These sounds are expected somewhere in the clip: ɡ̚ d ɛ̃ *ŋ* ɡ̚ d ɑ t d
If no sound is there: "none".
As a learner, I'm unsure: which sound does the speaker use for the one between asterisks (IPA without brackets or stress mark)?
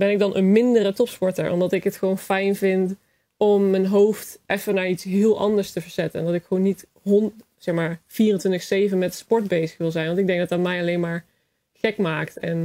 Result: ŋ